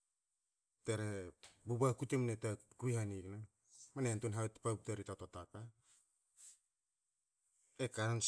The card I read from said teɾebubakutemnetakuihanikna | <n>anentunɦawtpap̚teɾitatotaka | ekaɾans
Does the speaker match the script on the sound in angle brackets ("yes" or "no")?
no